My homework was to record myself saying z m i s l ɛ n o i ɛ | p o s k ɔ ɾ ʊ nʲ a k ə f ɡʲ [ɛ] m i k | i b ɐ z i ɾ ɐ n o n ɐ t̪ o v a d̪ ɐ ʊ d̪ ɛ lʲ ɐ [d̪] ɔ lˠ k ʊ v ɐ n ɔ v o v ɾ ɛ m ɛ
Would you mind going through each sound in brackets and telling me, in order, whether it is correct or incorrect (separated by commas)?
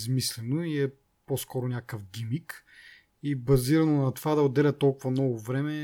incorrect, incorrect